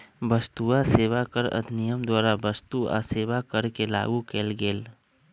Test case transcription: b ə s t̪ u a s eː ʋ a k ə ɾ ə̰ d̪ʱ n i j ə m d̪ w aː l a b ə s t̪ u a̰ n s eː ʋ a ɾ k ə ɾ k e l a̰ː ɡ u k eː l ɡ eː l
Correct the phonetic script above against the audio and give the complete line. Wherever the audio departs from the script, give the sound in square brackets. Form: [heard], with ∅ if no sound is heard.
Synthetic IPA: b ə s t̪ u a s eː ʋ a k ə ɾ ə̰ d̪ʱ n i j ə m d̪ w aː [ɾ] a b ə s t̪ u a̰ [∅] s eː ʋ a [∅] k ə ɾ k e l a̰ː ɡ u k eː l ɡ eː l